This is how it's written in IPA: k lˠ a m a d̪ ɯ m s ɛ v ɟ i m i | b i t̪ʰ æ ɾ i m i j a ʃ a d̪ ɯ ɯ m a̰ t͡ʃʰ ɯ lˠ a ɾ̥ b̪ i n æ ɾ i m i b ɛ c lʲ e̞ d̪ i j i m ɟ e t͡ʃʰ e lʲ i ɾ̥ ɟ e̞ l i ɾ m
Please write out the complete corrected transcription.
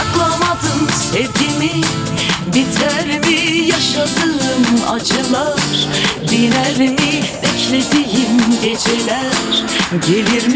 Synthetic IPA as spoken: k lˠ a m a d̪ ɯ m s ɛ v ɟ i m i | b i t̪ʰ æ ɾ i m i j a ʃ a d̪ ɯ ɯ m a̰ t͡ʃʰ ɯ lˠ a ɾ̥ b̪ i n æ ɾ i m i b ɛ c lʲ e̞ d̪ i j i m ɟ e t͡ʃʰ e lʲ æ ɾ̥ ɟ e̞ l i ɾ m